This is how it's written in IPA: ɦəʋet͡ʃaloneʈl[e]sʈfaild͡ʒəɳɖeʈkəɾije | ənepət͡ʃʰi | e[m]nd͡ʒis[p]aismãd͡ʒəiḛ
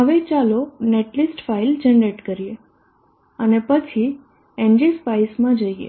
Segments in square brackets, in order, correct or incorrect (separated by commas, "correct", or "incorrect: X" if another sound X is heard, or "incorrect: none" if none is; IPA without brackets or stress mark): incorrect: i, incorrect: none, correct